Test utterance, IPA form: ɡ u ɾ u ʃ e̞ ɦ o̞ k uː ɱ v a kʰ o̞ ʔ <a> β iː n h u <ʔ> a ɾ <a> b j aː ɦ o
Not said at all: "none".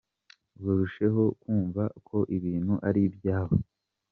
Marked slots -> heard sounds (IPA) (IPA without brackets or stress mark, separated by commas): i, ʔ, i